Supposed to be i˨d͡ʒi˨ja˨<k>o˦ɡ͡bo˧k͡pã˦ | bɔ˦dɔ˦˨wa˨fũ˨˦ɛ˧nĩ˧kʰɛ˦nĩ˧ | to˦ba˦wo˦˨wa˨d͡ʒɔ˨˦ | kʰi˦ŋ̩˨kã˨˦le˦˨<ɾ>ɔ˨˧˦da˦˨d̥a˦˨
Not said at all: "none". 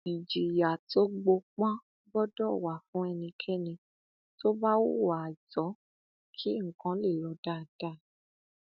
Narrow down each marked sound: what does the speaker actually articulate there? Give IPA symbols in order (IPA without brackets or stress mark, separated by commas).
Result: t, l